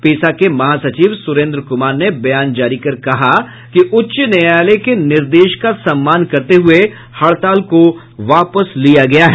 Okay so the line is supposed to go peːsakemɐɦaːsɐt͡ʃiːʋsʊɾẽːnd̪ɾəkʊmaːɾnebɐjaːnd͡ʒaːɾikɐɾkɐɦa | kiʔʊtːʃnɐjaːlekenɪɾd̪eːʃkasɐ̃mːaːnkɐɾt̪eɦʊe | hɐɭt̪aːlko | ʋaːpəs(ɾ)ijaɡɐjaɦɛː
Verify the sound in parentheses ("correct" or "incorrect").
incorrect